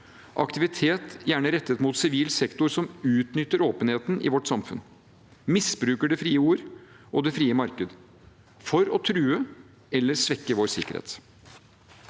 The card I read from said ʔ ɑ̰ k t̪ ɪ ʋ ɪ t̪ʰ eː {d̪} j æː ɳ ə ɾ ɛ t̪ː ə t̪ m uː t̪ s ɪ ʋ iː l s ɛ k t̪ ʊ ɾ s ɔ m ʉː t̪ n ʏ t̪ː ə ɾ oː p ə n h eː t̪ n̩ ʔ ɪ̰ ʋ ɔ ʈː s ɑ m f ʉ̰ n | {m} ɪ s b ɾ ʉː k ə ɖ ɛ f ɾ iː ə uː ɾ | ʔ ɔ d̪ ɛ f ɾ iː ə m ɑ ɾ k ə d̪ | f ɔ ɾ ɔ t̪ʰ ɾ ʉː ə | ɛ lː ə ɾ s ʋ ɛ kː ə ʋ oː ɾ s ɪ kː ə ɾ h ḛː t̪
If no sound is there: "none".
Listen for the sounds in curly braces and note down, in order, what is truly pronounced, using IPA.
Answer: t̪, m

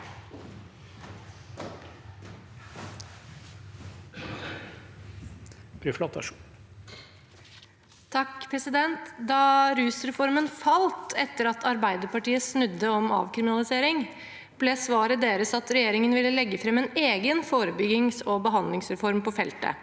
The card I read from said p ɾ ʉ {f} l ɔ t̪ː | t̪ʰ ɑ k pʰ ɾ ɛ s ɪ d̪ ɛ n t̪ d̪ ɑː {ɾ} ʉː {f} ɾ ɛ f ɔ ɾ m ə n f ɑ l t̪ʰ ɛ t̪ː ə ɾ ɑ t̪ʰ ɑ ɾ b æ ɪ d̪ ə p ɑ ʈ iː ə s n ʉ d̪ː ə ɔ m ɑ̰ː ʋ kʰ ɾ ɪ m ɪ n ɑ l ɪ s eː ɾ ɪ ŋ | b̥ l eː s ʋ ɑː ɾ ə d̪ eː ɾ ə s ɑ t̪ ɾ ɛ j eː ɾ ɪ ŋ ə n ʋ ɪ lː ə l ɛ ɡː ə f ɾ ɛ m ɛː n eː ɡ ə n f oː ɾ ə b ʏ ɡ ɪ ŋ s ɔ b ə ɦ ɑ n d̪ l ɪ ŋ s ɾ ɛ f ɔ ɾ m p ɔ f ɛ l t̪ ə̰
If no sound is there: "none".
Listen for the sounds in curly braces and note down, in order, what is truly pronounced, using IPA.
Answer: f, ɾ, s

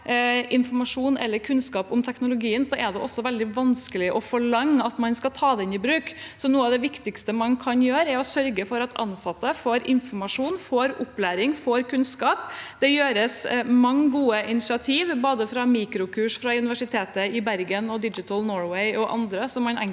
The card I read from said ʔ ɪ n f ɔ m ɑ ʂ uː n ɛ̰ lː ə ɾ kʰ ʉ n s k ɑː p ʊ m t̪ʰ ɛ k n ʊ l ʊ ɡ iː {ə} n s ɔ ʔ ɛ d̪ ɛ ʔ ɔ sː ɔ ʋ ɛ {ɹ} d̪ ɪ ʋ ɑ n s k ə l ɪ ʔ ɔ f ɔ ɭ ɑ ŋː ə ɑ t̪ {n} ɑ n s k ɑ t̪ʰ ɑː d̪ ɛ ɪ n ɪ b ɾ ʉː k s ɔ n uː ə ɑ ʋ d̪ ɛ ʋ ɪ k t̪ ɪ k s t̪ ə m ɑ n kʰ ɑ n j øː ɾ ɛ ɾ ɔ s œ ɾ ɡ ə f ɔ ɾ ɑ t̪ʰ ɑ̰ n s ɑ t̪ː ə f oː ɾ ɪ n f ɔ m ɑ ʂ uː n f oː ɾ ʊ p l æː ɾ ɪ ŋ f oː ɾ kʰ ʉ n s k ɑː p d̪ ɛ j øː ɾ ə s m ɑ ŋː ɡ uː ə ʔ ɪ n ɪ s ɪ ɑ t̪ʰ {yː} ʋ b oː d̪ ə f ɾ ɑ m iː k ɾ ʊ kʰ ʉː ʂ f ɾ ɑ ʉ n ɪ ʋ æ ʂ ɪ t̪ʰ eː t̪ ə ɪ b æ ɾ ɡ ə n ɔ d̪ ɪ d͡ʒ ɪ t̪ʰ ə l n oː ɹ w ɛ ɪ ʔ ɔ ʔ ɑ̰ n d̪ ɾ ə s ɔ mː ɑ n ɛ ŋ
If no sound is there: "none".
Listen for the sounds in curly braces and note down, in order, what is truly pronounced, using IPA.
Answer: ə, l, m, iː

